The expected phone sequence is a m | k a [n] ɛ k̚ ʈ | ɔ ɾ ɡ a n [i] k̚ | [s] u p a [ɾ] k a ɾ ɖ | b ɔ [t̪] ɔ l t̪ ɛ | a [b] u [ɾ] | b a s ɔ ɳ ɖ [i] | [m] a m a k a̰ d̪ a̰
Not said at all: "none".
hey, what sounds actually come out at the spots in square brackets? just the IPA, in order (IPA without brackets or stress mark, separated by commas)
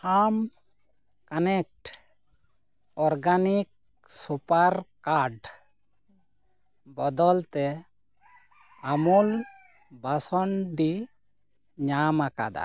n, i, s, ɾ, d̪, m, l, i, ɲ